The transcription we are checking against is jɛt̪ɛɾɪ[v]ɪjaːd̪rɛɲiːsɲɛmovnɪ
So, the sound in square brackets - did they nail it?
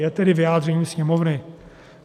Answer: yes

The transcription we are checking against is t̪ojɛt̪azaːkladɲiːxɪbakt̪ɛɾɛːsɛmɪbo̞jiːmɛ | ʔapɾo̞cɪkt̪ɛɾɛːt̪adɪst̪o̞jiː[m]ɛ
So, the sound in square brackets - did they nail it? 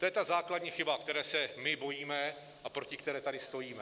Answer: yes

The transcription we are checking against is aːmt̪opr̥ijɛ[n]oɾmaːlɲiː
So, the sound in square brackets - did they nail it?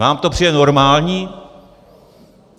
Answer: yes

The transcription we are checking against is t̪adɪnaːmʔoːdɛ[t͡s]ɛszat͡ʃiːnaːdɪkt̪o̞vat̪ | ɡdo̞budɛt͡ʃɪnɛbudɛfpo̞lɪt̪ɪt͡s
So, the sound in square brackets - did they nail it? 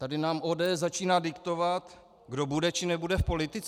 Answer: no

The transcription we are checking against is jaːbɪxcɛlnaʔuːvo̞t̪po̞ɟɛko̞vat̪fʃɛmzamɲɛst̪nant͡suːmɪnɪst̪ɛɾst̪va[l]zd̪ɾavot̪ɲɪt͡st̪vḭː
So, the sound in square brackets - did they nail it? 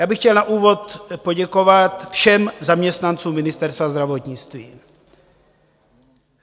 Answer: no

